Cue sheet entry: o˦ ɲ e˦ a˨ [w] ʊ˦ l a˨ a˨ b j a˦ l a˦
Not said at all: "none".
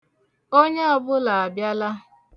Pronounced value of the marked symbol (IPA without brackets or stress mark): b